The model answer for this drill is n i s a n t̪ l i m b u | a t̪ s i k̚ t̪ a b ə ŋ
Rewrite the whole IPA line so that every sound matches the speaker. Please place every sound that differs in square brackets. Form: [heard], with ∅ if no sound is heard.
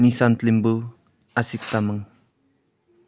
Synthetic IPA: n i s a n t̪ l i m b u | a [∅] s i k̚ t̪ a [m] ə ŋ